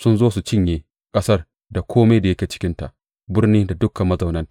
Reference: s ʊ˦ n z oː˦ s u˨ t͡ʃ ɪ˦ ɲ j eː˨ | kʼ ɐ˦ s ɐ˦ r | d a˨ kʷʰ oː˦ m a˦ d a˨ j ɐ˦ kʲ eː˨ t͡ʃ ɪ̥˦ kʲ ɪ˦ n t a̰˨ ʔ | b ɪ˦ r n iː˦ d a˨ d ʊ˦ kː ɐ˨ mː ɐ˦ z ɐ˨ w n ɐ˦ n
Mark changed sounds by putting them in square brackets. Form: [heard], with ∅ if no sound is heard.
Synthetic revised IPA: s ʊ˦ n z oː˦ s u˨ t͡ʃ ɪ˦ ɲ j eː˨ | kʼ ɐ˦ s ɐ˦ r | d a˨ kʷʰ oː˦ m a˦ d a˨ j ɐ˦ kʲ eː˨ t͡ʃ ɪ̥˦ kʲ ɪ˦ n t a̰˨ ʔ | b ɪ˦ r n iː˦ d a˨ d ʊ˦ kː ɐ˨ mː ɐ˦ z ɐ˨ w n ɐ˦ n